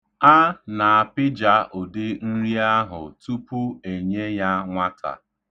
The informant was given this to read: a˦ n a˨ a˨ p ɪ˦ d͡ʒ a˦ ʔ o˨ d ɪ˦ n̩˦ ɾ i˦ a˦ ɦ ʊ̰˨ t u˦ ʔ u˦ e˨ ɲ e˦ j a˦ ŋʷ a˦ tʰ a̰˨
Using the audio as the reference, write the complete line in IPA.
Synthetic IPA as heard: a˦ n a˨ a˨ p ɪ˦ d͡ʒ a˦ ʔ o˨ d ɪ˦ n̩˦ ɾ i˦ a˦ ɦ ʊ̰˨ t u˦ p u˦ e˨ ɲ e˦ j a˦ ŋʷ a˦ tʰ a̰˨